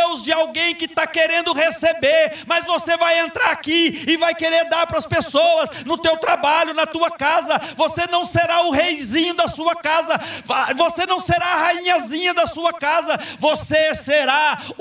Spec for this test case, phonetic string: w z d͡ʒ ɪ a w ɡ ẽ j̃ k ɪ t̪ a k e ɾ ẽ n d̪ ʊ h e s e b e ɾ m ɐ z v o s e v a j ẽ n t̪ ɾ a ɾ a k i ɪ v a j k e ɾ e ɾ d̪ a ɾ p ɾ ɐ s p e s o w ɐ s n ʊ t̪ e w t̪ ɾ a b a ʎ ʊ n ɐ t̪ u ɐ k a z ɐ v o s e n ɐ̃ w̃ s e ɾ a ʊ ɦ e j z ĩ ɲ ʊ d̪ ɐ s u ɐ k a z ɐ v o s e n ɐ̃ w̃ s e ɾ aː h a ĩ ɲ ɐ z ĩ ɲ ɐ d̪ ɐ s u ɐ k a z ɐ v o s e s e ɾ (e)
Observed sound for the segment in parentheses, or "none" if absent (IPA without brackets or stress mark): a